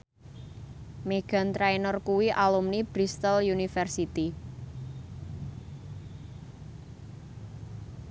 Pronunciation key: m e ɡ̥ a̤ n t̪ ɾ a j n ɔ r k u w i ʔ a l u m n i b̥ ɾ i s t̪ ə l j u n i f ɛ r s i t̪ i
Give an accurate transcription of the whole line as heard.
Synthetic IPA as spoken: m e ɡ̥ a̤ n t̪ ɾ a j n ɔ r k u w i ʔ a l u m n i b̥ ɾ i s t̪ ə l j u n i f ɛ r s i t̪ i